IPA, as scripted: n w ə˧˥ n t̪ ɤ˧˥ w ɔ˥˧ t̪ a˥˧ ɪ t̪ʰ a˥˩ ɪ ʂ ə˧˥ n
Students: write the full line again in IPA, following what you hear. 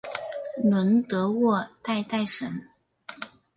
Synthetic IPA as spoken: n w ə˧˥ n t̪ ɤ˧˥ w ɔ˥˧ t̪ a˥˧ ɪ t̪ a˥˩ ɪ ʂ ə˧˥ n